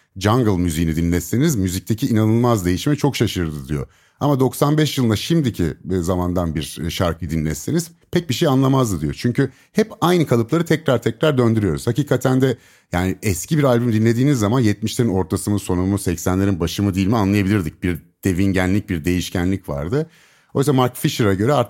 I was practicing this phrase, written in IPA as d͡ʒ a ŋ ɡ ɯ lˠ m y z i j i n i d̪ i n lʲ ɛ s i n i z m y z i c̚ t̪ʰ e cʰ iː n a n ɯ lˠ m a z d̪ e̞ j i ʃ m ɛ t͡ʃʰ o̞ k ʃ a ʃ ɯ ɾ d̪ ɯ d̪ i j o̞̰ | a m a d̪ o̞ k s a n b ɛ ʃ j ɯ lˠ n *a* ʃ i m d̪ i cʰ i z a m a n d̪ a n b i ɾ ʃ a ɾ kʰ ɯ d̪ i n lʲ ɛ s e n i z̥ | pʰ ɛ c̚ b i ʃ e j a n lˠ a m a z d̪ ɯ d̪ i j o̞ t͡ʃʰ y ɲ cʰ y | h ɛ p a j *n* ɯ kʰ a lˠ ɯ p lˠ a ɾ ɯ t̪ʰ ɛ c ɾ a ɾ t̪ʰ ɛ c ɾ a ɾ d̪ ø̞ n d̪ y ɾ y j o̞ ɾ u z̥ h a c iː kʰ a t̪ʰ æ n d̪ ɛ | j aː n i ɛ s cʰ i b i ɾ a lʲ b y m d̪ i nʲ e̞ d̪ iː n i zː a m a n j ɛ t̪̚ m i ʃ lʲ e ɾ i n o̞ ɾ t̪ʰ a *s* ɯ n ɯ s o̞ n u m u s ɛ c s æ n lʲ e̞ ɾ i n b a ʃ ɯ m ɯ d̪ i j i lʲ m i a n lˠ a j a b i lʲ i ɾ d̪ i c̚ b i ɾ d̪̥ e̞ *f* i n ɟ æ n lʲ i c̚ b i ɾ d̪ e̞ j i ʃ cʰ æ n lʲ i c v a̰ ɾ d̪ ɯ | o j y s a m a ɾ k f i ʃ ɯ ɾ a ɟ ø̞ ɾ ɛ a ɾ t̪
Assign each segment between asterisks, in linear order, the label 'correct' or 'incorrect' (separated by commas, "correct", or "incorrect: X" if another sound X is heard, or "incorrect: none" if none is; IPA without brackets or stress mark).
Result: correct, correct, correct, incorrect: v